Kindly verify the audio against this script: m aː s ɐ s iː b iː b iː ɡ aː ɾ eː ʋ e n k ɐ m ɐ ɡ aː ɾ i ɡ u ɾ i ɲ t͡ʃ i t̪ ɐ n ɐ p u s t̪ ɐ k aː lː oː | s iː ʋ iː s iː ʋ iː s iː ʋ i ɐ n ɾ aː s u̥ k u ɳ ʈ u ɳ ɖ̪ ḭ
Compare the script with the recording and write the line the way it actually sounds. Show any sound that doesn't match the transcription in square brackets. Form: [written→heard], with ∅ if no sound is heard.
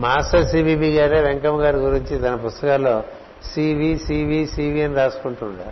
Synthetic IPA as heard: m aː s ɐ s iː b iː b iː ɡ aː ɾ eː ʋ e [n→ŋ] k ɐ m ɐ ɡ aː ɾ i ɡ u ɾ i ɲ t͡ʃ i t̪ ɐ n ɐ p u s t̪ ɐ k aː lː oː | s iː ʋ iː s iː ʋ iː s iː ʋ i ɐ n ɾ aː s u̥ k u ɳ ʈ u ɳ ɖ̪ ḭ